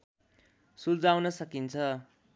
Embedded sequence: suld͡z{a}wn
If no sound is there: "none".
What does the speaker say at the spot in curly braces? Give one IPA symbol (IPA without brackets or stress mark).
a